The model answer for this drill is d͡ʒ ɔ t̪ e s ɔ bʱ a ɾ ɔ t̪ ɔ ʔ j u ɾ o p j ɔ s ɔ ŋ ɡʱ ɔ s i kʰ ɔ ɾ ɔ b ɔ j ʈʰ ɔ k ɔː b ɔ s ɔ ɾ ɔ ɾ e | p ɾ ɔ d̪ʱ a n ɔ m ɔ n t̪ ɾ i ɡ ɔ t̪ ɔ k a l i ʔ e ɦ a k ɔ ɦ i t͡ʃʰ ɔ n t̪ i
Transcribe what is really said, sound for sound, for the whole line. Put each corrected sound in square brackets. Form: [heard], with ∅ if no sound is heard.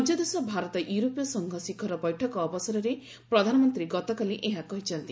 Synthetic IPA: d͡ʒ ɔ [d̪] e s ɔ bʱ a ɾ ɔ t̪ ɔ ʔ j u ɾ o p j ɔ s ɔ ŋ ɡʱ ɔ s i kʰ ɔ ɾ ɔ b ɔ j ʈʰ ɔ k ɔː b ɔ s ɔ ɾ ɔ ɾ e | p ɾ ɔ d̪ʱ a n ɔ m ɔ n t̪ ɾ i ɡ ɔ t̪ ɔ k a l i ʔ e ɦ a k ɔ ɦ i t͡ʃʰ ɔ n t̪ i